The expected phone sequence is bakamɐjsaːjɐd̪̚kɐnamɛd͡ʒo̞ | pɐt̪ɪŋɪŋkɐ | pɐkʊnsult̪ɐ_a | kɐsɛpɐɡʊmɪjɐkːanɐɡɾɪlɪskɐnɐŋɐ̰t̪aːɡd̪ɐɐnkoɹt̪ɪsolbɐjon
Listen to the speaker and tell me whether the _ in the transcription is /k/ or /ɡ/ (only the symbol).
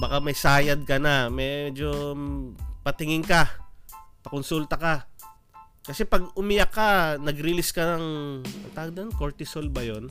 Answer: k